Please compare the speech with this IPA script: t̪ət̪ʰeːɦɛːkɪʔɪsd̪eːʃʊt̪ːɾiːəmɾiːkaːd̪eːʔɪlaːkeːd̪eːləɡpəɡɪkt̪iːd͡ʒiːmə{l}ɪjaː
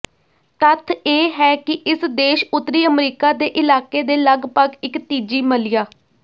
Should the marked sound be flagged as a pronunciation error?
no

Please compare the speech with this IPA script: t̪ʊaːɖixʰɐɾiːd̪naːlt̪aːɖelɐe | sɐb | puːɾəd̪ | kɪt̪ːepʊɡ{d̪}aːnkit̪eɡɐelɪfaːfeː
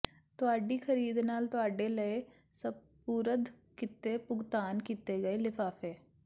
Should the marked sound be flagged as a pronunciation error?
yes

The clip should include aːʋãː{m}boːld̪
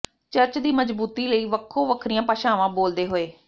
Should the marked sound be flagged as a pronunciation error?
yes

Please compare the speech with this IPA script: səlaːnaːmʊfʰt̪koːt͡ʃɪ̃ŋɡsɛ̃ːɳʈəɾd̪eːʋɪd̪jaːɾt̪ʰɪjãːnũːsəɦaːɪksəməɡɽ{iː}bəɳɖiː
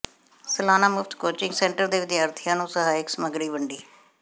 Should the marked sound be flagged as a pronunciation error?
no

